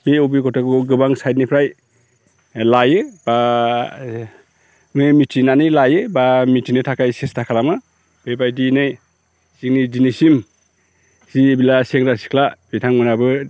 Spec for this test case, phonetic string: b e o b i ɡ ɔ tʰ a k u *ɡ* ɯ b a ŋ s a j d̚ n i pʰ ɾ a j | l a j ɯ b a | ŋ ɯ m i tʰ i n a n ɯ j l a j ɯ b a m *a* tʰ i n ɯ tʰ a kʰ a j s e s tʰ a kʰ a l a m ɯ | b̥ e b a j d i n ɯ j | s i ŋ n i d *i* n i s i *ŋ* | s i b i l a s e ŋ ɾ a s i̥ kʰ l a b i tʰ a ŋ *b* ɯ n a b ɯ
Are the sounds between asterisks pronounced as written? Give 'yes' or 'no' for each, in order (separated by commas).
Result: yes, no, yes, no, no